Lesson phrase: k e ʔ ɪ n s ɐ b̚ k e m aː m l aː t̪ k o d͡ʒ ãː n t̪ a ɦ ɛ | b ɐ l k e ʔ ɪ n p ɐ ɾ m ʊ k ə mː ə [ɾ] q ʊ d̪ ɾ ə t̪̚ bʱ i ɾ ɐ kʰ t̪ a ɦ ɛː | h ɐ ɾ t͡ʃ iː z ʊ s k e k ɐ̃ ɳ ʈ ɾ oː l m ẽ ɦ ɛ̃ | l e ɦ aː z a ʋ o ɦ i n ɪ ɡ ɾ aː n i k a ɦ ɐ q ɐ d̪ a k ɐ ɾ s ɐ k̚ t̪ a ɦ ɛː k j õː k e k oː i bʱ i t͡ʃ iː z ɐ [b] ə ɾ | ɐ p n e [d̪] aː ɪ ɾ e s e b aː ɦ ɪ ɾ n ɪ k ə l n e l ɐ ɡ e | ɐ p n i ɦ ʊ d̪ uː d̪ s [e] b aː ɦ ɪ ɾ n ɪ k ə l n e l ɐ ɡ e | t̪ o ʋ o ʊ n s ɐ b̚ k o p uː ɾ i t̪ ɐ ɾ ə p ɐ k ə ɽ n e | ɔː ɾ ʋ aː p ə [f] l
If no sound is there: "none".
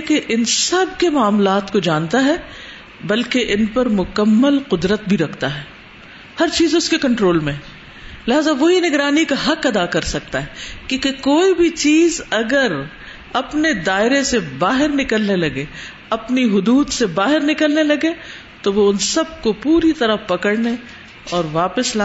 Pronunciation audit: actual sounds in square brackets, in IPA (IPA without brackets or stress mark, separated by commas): l, ɡ, d̪, e, s